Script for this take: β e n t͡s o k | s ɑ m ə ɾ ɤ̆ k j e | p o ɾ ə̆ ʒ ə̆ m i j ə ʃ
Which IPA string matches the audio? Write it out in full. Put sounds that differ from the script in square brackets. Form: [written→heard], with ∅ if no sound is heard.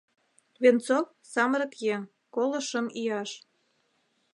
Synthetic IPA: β e n t͡s o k | s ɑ m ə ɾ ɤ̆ k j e | [p→k] o [ɾ→l] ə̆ [ʒ→ʃ] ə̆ m i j [ə→ɑ] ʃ